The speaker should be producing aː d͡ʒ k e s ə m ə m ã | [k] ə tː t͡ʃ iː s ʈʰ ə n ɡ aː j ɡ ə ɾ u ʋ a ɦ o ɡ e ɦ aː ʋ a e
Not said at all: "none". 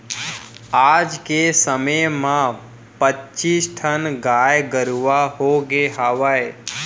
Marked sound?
p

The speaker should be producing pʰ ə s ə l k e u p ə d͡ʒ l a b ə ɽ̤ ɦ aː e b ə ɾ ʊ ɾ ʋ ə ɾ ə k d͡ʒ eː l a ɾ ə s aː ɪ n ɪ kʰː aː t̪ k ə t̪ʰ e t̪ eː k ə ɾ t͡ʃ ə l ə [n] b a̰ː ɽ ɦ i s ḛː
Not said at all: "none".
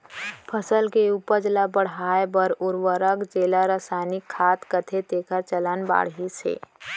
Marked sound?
n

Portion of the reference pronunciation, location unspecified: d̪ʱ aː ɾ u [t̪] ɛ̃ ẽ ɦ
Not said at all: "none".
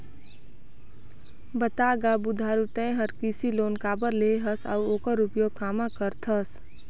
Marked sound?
t̪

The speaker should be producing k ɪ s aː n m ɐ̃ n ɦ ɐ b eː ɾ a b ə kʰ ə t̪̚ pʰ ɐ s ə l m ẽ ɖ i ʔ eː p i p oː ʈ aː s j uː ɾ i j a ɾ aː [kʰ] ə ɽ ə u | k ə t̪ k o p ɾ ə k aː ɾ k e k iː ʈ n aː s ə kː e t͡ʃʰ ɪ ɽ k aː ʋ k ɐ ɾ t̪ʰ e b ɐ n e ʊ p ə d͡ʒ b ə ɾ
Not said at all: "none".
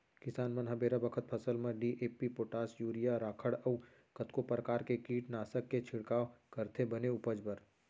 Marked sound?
kʰ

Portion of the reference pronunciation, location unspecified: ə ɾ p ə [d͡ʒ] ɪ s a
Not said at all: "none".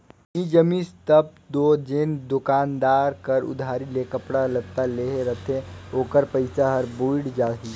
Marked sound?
none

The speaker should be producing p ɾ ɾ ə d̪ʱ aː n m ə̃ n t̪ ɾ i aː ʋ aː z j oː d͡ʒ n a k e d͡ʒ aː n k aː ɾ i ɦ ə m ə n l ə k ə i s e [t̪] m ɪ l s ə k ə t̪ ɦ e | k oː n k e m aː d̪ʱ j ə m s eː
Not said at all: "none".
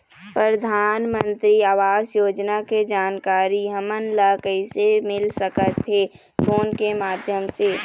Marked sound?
none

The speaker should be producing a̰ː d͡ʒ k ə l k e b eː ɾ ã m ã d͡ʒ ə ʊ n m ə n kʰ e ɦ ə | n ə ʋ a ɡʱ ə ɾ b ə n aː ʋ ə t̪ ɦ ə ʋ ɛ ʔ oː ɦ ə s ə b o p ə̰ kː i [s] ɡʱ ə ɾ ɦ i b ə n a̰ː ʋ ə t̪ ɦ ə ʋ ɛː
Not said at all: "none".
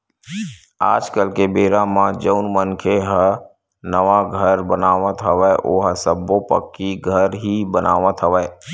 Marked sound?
none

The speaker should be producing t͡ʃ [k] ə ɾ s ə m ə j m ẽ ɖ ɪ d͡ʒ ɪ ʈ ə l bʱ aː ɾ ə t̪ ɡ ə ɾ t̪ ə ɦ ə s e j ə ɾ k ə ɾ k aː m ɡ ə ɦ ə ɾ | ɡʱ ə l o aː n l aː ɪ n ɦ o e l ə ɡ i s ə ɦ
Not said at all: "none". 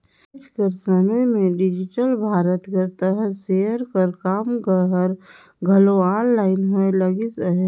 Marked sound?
k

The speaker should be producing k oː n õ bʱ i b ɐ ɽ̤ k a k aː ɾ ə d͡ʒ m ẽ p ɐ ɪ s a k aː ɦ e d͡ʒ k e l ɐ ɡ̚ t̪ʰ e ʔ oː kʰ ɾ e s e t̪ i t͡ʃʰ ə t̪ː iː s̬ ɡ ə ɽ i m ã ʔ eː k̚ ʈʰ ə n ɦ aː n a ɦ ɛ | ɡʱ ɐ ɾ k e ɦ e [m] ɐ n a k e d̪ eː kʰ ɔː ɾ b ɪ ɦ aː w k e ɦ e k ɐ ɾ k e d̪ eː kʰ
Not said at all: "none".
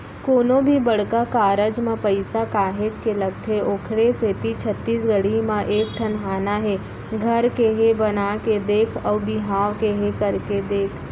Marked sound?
b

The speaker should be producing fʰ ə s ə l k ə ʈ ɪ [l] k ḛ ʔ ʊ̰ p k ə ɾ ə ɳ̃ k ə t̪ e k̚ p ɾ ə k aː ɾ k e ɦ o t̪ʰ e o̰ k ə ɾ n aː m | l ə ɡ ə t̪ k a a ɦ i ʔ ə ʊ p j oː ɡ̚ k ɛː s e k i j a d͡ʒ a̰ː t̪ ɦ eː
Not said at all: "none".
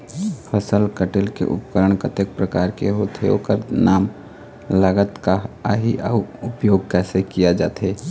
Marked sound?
l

